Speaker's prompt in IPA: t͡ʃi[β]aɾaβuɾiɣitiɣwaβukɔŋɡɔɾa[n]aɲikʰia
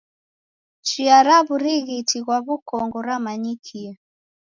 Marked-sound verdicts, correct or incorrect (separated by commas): incorrect, incorrect